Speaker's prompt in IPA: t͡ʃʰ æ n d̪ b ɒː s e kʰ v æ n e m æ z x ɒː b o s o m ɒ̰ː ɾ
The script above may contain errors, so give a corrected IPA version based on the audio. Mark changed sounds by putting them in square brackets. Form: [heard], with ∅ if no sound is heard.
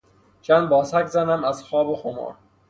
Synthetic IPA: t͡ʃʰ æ n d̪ b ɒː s [æ] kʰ [z] æ n [æ] m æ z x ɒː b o [x] o m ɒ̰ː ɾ